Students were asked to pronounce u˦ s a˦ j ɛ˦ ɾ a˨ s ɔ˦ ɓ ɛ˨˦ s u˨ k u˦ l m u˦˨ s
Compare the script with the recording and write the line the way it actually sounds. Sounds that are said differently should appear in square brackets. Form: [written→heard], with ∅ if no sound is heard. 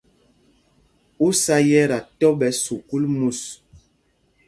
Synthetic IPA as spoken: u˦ s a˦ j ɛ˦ ɾ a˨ [s→t] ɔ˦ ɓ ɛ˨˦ s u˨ k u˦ l m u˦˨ s